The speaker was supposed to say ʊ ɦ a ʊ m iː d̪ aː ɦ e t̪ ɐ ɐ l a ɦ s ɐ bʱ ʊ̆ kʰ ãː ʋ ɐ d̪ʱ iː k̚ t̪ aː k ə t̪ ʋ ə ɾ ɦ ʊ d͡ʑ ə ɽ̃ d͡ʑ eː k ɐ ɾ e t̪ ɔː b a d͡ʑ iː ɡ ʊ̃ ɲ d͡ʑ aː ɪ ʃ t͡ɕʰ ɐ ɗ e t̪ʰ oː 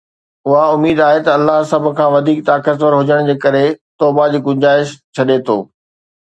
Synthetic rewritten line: ʊ ɦ a ʊ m iː d̪ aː ɦ e t̪ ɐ ɐ lː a ɦ s ɐ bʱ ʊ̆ kʰ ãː ʋ ɐ d̪ʱ iː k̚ t̪ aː k ə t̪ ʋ ə ɾ ɦ ʊ d͡ʑ ə ɽ̃ d͡ʑ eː k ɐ ɾ e t̪ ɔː b a d͡ʑ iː ɡ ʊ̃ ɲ d͡ʑ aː ɪ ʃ t͡ɕʰ ɐ ɗ e t̪ʰ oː